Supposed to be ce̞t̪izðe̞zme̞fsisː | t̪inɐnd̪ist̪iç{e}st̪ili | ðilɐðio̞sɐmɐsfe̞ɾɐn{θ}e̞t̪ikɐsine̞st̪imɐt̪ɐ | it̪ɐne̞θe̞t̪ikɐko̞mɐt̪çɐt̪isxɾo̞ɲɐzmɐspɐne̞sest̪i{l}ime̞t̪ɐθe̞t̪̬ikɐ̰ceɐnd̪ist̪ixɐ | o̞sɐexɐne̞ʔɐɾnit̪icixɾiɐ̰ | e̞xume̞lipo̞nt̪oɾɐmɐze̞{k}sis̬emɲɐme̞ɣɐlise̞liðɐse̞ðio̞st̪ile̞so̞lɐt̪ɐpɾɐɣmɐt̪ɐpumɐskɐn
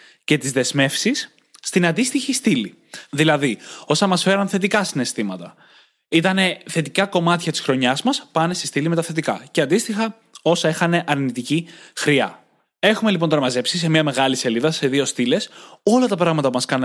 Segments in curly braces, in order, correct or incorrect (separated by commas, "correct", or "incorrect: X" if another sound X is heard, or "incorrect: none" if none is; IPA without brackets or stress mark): incorrect: i, correct, correct, incorrect: p